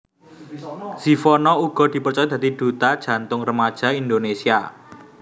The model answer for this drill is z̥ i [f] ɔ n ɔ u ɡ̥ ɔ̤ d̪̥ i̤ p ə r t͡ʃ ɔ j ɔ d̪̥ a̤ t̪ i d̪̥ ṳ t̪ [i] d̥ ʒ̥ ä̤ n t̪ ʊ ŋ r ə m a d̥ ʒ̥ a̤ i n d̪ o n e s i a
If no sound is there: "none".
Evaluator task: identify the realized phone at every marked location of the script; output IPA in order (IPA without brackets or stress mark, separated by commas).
f, a